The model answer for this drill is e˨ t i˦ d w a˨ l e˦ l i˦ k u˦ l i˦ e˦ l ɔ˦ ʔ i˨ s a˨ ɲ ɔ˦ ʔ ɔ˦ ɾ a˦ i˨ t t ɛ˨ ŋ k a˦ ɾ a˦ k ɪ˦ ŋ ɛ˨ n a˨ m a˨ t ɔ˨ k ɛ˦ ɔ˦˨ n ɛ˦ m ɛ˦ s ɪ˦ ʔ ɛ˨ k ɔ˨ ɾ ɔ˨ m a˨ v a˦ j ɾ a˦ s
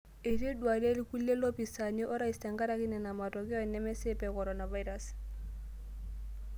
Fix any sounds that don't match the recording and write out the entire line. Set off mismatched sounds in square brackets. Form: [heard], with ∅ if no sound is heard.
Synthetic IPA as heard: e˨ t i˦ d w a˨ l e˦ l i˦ k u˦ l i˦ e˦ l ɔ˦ [p] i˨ s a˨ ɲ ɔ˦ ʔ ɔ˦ ɾ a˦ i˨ [s] t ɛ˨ ŋ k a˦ ɾ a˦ k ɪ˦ [n] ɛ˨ n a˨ m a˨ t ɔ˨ k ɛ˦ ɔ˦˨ n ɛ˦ m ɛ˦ s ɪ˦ [p] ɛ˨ k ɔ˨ ɾ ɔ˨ [n] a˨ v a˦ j ɾ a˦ s